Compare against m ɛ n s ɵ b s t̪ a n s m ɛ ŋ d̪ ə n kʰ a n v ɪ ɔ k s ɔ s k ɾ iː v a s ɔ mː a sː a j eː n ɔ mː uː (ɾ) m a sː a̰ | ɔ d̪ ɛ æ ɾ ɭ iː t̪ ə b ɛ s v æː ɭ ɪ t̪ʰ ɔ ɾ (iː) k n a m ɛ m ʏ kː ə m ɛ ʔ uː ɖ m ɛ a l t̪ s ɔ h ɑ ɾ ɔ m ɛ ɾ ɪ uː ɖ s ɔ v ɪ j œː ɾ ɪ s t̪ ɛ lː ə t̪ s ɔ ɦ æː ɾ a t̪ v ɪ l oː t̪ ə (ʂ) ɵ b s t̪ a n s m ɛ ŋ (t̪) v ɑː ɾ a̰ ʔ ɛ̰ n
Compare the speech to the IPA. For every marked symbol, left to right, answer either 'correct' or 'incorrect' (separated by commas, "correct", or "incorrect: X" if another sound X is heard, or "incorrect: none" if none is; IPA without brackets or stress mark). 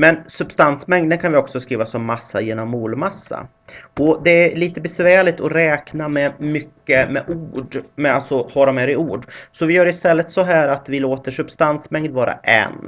incorrect: l, incorrect: ɛː, correct, incorrect: d̪